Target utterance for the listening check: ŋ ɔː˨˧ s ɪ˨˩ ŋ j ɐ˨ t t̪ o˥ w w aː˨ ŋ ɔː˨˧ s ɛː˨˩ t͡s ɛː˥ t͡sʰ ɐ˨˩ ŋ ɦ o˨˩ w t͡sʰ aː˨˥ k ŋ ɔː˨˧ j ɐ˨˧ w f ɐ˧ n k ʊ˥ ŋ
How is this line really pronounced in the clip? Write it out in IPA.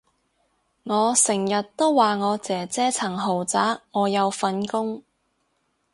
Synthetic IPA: ŋ ɔː˨˧ s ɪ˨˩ ŋ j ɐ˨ t t̪ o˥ w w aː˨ ŋ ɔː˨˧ t͡s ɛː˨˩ t͡s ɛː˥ t͡sʰ ɐ˨˩ ŋ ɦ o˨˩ w t͡s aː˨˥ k ŋ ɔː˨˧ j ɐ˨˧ w f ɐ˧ n k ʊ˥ ŋ